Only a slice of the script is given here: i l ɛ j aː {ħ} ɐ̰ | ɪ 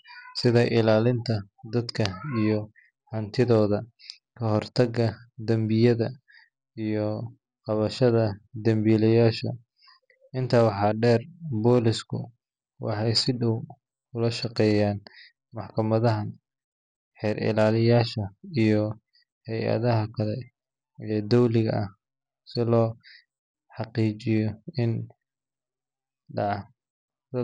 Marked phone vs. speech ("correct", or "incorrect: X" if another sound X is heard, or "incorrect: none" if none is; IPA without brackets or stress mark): incorrect: ʃ